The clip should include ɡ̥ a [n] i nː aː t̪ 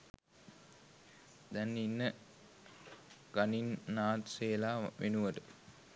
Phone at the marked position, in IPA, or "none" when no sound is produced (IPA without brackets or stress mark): n